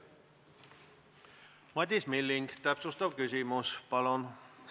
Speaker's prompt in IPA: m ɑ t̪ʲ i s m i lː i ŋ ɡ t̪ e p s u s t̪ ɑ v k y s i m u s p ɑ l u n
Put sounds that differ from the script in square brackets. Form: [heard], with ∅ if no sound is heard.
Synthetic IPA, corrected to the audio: m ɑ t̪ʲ i s m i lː i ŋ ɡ t̪ [æ] p s u s t̪ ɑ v k y s i m u s p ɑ l [o] n